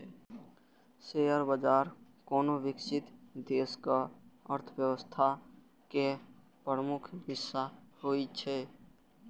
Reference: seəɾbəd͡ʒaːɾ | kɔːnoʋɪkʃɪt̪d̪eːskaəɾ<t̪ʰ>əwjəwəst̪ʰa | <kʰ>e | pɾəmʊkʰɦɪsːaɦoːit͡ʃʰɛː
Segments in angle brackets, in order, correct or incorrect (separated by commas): correct, incorrect